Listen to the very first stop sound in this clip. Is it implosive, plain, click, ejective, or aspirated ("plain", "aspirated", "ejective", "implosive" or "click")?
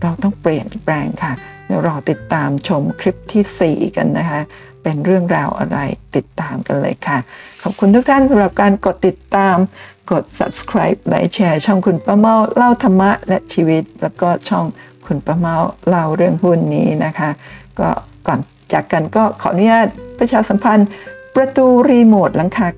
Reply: plain